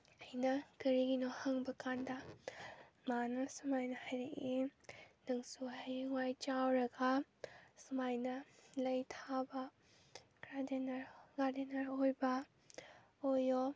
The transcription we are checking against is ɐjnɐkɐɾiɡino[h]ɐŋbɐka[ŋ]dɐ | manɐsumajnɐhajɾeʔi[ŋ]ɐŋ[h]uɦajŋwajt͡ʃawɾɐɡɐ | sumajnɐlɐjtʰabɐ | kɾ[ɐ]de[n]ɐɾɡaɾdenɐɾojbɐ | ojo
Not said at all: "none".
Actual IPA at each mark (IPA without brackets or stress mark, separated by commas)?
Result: h, n, n, s, a, n